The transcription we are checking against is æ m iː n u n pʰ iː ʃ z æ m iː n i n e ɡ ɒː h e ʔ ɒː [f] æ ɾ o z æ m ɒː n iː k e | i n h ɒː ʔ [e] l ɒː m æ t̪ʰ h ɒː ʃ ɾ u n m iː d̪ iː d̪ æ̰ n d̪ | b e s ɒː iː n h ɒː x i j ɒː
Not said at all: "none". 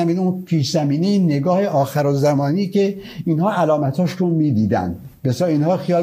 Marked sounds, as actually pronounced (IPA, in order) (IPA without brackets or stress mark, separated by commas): x, æ